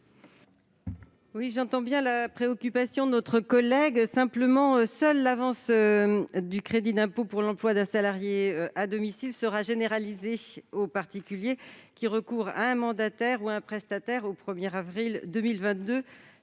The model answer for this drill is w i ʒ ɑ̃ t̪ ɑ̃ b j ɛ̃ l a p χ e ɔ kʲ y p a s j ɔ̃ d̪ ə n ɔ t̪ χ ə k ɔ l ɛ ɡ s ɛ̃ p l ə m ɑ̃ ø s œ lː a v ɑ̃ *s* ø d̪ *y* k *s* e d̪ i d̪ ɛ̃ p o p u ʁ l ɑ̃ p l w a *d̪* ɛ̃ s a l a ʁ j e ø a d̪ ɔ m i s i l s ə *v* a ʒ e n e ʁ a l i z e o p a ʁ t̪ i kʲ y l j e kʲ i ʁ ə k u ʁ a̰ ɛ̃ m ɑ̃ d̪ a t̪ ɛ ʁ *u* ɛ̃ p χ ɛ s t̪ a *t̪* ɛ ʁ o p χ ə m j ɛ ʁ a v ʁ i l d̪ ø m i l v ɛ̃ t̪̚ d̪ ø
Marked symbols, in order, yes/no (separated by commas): yes, yes, no, yes, no, yes, yes